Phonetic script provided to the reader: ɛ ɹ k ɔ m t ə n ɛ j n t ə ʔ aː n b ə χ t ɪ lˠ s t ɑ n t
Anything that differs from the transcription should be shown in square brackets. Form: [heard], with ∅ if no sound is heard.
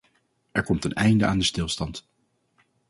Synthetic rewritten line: ɛ ɹ k ɔ m t ə n ɛ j n [d] ə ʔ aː n [d] ə [s] t ɪ lˠ s t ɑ n t